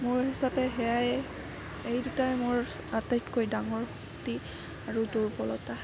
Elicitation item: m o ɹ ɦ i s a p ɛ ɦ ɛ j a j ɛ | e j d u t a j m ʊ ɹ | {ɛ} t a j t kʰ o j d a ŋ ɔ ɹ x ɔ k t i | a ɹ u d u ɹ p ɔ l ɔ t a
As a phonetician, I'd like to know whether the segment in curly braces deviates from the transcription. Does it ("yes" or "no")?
yes